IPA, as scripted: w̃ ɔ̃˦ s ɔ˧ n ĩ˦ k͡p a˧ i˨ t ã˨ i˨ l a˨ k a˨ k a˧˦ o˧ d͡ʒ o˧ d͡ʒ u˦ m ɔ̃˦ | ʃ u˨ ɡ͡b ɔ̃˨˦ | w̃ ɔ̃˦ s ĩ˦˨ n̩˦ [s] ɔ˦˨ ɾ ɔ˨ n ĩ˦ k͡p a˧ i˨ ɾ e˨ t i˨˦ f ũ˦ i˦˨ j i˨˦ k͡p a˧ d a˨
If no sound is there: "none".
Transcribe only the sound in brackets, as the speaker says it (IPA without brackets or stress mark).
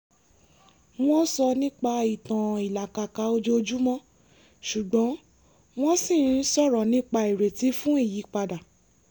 s